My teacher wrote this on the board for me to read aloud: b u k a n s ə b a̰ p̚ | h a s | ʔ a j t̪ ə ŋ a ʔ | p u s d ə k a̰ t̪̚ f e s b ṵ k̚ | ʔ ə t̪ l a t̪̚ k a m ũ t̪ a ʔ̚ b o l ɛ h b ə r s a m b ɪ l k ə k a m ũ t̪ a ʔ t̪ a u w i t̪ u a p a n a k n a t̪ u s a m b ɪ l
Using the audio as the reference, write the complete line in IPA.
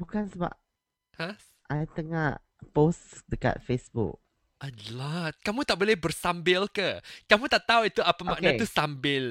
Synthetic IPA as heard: b u k a n s ə b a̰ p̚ | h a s | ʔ a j t̪ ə ŋ a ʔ | p o s d ə k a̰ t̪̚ f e s b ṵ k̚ | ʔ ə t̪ l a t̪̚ k a m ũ t̪ a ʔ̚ b o l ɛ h b ə r s a m b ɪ l k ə k a m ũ t̪ a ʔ t̪ a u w i t̪ u a p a m a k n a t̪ u s a m b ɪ l